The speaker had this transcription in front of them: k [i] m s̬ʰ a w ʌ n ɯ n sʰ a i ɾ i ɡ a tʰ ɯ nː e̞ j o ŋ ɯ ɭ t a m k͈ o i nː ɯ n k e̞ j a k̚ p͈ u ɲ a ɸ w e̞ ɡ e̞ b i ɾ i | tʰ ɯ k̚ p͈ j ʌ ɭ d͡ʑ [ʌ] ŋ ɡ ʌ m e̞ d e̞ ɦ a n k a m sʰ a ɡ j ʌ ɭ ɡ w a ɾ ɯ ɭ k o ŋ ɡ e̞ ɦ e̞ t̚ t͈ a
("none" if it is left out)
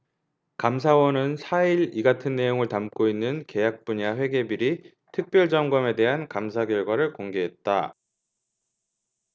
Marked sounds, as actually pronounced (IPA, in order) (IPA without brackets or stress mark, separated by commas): a, ʌ